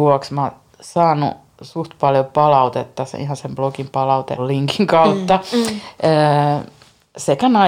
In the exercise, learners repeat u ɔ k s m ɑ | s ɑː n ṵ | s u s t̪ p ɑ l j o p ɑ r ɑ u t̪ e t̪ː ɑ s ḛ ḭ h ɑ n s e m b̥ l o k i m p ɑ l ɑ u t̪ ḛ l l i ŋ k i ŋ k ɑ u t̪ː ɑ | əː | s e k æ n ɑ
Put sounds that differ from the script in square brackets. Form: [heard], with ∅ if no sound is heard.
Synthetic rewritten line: u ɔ k s m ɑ | s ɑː n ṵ | s u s t̪ p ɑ l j o p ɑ [l] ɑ u t̪ e t̪ː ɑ s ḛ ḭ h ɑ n s e m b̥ l o k i m p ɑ l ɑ u t̪ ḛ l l i ŋ k i ŋ k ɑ u t̪ː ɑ | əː | s e k æ n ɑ